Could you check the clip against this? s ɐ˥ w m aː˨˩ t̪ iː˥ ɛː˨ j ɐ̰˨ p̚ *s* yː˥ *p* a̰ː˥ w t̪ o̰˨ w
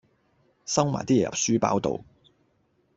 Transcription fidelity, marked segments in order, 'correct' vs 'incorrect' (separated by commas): correct, correct